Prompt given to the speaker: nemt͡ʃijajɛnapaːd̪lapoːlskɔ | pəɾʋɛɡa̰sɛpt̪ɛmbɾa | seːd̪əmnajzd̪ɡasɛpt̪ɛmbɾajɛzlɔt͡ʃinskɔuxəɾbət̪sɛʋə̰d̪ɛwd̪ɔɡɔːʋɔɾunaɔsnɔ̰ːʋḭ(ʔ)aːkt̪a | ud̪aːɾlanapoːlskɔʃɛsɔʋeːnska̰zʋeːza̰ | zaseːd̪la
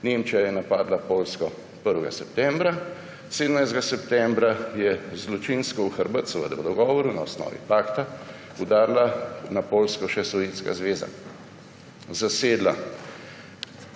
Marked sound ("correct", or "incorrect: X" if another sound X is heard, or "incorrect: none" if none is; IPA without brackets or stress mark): incorrect: p